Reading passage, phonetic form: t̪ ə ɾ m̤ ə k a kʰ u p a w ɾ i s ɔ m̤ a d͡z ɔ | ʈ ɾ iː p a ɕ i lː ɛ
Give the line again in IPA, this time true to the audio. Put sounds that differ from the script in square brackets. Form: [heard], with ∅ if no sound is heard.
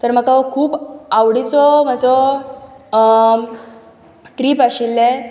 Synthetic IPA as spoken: t̪ ə ɾ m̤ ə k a kʰ [uː] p a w [ɽ] i [t͡s] ɔ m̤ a d͡z ɔ | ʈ ɾ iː p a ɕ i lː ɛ